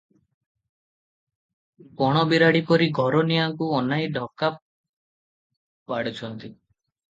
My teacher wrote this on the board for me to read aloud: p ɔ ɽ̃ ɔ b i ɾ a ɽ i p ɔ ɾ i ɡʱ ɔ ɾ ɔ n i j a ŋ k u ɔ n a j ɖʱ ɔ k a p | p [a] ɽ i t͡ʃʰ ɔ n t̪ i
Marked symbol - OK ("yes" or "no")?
yes